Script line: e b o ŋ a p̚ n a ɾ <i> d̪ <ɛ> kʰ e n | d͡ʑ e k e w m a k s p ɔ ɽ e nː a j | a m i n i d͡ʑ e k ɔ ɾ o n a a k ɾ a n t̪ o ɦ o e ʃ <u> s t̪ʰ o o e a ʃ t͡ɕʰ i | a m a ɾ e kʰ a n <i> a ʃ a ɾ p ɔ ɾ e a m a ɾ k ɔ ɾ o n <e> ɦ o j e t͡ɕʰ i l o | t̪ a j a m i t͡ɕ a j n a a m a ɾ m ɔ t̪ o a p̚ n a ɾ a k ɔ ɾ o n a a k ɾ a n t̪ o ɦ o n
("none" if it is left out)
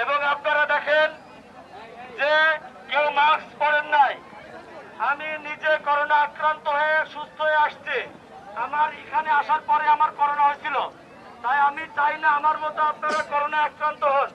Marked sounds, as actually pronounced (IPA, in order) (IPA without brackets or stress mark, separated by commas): a, ɛ, u, e, a